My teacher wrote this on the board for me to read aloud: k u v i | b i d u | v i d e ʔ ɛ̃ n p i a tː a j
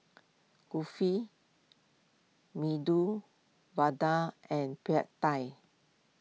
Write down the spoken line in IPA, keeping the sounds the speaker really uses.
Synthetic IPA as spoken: k u f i | m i d u | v a d a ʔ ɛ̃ n p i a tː a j